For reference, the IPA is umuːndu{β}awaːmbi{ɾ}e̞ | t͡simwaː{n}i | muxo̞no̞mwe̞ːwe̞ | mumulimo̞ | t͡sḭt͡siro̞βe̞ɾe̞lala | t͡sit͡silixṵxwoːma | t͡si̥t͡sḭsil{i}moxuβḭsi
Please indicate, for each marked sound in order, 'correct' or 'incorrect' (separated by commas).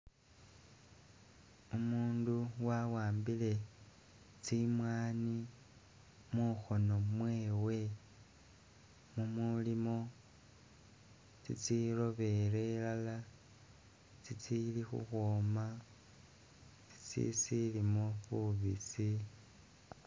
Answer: incorrect, incorrect, correct, correct